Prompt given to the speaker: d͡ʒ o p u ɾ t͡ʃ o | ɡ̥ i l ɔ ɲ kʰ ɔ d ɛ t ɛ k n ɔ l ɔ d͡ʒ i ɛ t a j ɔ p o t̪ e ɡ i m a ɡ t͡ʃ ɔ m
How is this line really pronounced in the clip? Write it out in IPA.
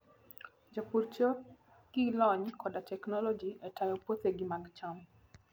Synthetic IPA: d͡ʒ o p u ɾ t͡ʃ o | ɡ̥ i l ɔ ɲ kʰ ɔ d a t ɛ k n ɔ l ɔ d͡ʒ i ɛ t a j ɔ p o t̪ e ɡ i m a ɡ t͡ʃ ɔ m